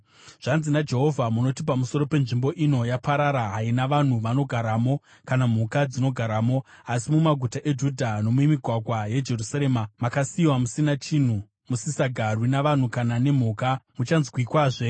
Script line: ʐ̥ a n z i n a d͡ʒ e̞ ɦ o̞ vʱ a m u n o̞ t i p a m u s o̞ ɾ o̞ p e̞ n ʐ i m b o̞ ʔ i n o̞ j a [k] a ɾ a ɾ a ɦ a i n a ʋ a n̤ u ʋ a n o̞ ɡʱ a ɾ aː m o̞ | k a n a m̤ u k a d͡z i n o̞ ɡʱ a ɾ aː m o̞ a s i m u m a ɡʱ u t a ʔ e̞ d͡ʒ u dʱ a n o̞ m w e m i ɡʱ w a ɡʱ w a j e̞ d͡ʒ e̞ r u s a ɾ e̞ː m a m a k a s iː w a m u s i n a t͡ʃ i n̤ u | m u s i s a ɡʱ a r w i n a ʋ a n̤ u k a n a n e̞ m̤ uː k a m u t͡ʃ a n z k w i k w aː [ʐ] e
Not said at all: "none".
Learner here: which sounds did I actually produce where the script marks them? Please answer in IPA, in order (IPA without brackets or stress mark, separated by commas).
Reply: p, ʐ